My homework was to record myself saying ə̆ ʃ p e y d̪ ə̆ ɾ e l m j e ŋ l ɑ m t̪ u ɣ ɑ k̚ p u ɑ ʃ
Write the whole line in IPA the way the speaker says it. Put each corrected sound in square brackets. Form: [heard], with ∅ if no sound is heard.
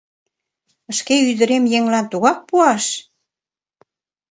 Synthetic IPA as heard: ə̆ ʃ [k] e y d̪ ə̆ ɾ e [∅] m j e ŋ l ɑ [n] t̪ u ɣ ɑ k̚ p u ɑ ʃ